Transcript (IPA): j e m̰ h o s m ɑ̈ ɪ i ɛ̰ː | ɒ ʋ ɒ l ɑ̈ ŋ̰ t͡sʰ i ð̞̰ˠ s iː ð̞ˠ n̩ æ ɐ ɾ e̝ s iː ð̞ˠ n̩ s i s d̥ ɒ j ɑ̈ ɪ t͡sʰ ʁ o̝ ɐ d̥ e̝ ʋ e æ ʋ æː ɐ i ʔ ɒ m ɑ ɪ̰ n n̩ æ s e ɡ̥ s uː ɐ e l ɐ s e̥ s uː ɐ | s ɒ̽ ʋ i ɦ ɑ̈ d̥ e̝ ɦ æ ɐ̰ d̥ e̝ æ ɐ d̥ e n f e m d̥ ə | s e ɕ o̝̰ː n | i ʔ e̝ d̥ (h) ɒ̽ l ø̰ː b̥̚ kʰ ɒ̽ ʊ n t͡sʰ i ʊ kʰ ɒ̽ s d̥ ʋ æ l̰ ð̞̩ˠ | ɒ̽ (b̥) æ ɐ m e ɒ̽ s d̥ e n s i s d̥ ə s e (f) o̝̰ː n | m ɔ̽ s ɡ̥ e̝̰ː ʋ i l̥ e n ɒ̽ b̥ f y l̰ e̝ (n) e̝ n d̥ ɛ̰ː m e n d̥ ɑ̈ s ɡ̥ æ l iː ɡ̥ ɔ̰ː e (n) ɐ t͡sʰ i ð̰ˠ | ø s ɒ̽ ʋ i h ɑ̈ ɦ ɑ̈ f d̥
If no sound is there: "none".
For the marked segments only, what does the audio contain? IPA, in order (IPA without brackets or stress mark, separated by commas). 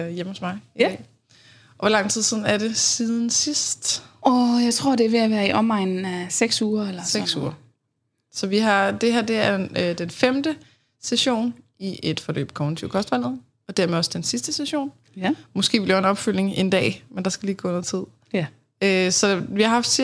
f, d̥, ɕ, ŋ, n